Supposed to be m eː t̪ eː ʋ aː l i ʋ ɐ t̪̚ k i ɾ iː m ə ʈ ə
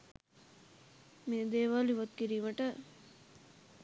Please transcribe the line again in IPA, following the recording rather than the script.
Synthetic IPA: m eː d̪ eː ʋ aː l i ʋ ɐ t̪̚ k i ɾ iː m ə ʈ ə

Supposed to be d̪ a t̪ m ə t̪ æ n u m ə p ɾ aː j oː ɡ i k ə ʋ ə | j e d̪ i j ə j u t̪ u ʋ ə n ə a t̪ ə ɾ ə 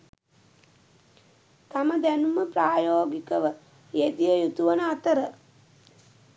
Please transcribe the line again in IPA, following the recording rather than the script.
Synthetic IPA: t̪ a m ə d̪ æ n u m ə p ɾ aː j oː ɡ i k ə ʋ ə | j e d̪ i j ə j u t̪ u ʋ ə n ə a t̪ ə ɾ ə

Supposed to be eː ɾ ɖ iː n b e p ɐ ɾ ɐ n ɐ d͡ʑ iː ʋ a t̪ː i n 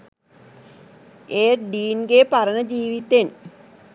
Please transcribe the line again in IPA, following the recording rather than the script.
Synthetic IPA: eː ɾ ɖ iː n ɡ e p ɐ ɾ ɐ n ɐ d͡ʑ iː ʋ i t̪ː e n

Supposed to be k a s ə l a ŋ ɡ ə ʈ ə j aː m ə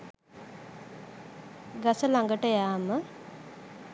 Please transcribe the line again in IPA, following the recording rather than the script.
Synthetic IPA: ɡ a s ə l a ŋ ɡ ə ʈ ə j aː m ə

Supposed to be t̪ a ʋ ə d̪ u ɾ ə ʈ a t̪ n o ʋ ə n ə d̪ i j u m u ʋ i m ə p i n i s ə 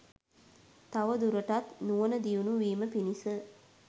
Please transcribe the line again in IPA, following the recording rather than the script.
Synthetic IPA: t̪ a ʋ ə d̪ u ɾ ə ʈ a t̪ n u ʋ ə n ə d̪ i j u n u ʋ iː m ə p i n i s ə

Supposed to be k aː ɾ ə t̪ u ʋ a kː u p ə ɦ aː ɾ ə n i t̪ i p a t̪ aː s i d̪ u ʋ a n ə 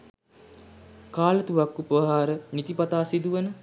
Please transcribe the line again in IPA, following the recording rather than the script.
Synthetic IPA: k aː l ə t̪ u ʋ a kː u p ə ɦ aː ɾ ə n i t̪ i p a t̪ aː s i d̪ u ʋ ə n ə

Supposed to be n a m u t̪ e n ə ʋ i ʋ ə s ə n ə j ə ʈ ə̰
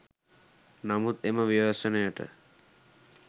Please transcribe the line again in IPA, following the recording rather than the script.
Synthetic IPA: n a m u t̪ e m ə ʋ i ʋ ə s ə n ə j ə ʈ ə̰

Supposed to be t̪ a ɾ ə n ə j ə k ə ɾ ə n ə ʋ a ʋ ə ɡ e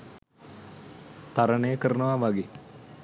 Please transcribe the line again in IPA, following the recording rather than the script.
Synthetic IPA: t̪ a ɾ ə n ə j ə k ə ɾ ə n ə ʋ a ʋ a ɡ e

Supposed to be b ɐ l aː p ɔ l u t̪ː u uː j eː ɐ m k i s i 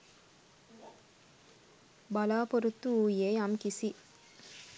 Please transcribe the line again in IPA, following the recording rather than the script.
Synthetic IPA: b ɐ l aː p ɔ ɾ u t̪ː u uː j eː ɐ m k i s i

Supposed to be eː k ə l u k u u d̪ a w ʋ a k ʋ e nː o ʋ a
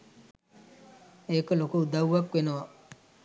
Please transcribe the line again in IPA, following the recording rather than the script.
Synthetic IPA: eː k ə l o k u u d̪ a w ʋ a k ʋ e n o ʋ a

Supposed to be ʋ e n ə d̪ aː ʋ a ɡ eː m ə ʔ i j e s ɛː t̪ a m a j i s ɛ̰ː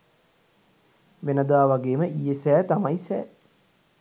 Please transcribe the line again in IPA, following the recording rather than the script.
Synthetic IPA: ʋ e n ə d̪ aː ʋ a ɡ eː m ə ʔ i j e s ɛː t̪ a m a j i s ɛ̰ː

